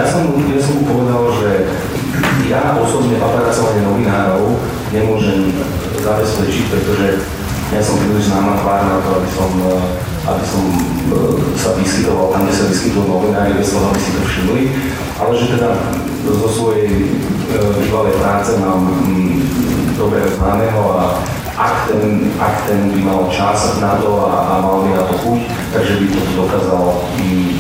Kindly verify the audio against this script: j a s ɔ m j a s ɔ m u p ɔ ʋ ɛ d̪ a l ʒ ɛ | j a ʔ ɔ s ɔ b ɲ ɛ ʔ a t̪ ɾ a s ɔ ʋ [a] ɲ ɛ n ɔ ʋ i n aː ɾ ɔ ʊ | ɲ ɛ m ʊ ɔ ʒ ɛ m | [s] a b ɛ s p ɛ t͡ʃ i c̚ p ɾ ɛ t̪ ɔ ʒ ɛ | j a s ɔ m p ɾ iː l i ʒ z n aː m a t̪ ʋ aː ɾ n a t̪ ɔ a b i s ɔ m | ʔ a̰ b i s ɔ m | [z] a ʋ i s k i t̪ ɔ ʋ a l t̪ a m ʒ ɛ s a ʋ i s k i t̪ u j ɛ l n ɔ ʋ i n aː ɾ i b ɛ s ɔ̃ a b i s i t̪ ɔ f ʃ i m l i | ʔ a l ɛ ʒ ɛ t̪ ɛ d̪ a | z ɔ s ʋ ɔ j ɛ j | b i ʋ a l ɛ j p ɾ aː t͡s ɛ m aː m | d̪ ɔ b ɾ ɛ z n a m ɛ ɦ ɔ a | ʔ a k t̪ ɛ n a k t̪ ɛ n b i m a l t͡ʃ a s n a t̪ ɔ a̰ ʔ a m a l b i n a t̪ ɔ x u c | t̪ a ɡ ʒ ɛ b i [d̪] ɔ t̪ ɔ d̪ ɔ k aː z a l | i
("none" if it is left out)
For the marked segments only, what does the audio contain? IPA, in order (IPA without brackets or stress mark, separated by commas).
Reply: a, z, s, t̪